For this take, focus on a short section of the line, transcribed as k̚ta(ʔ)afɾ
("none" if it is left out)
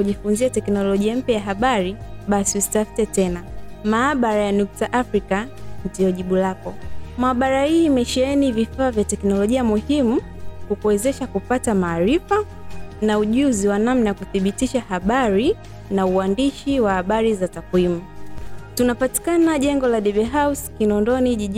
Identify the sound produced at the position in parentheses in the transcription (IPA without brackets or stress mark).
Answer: ʔ